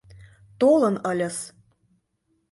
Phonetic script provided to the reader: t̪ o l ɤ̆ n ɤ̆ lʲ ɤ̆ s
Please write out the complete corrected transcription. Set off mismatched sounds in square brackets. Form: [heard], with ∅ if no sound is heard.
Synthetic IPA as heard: t̪ o l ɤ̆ n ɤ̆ lʲ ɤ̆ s